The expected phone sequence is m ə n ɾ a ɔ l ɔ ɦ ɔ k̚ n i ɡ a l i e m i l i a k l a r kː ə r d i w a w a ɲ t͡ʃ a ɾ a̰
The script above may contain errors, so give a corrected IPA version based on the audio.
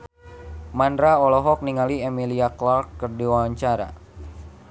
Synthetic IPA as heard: m a n ɾ a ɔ l ɔ ɦ ɔ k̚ n i ŋ a l i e m i l i a k l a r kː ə r d i w a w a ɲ t͡ʃ a ɾ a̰